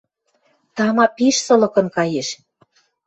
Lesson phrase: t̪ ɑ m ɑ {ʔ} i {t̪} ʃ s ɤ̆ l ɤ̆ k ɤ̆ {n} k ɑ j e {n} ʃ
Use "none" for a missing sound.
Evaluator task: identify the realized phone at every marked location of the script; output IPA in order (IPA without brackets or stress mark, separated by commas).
p, none, n, none